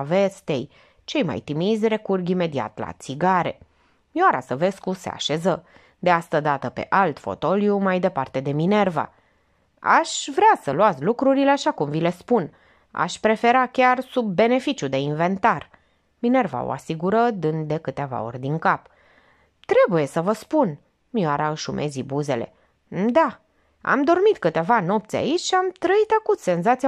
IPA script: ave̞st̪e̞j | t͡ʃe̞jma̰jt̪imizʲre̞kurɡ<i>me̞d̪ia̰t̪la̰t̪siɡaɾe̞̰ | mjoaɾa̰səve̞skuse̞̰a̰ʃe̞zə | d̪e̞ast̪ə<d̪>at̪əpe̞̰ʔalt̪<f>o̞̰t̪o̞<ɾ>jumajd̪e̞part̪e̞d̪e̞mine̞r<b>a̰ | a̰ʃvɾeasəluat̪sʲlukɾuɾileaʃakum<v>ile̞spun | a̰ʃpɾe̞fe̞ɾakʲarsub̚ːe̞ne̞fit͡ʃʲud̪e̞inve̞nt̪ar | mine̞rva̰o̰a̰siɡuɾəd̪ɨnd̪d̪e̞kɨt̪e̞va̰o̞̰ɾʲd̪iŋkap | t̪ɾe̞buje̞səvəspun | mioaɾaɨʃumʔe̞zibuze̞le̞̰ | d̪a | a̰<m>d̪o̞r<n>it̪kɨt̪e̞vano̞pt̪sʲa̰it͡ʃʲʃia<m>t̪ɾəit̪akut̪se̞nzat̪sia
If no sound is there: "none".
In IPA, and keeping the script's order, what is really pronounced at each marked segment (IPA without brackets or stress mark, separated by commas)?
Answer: i, d̪, f, l, v, v, m, m, m